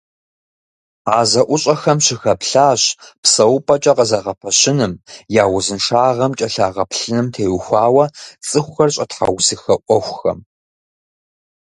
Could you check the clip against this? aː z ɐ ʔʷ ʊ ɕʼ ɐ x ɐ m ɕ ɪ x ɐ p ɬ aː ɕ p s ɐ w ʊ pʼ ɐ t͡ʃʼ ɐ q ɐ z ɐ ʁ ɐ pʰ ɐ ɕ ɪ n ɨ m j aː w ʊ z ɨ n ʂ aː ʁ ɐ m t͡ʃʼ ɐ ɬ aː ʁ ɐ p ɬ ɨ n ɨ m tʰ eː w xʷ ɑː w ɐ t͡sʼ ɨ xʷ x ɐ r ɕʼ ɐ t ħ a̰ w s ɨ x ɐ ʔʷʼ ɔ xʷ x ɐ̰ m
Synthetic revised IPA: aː z ɐ ʔʷ ʊ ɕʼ ɐ x ɐ m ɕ ɪ x ɐ p ɬ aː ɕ p s ɐ w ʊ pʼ ɐ t͡ʃʼ ɐ q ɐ z ɐ ʁ ɐ pʰ ɐ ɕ ɪ n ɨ m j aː w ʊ z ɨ n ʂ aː ʁ ɐ m t͡ʃʼ ɐ ɬ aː ʁ ɐ p ɬ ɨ n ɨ m tʰ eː w xʷ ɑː w ɐ t͡sʼ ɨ xʷ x ɐ r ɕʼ ɐ t ħ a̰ w s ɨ x ɐ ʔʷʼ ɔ xʷ x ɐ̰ m